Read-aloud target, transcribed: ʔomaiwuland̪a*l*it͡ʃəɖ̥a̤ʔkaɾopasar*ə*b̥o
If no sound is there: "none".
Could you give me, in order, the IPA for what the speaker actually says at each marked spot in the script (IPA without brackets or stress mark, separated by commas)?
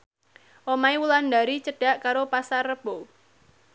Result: ɾ, ə